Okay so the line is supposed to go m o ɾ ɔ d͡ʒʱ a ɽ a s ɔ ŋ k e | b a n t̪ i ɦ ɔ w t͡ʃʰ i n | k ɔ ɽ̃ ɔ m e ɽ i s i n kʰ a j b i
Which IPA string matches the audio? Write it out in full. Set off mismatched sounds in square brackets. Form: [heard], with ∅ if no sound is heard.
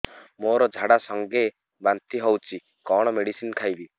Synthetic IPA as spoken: m o ɾ ɔ d͡ʒʱ a ɽ a s ɔ ŋ [ɡ] e | b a n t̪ i ɦ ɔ w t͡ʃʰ i [∅] | k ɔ ɽ̃ ɔ m e ɽ i s i n kʰ a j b i